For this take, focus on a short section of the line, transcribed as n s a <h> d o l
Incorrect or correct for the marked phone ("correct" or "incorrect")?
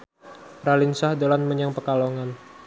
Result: correct